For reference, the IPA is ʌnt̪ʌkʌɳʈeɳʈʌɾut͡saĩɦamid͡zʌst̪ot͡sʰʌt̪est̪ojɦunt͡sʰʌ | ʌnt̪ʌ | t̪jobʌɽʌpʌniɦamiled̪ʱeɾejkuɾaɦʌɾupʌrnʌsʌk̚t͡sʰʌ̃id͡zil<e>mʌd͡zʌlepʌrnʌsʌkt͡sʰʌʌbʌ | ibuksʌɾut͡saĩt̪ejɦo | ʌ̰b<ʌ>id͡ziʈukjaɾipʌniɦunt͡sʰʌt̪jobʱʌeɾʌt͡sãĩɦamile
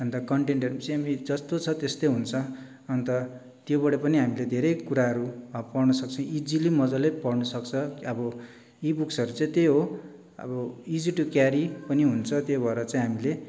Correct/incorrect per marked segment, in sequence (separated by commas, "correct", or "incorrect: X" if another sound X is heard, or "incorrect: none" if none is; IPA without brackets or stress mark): incorrect: i, correct